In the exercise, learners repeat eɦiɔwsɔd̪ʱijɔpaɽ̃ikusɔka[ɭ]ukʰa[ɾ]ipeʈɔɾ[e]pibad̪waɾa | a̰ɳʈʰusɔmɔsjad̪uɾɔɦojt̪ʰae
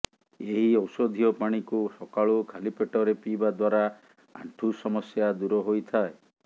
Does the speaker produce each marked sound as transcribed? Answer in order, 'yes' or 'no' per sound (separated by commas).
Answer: yes, no, yes